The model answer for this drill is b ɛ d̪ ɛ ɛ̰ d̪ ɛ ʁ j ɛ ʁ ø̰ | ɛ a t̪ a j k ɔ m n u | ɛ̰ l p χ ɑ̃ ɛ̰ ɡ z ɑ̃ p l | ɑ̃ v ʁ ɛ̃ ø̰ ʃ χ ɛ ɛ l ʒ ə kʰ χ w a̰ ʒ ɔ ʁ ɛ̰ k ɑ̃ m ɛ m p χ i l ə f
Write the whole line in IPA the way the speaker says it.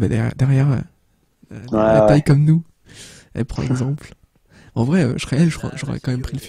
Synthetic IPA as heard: b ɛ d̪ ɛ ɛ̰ d̪ ɛ ʁ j ɛ ʁ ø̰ | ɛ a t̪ a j k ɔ m n u | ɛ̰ l p χ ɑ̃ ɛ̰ ɡ z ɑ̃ p l | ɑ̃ v ʁ ɛ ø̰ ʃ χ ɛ ɛ l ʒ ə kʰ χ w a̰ ʒ ɔ ʁ ɛ̰ k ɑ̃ m ɛ m p χ i l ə f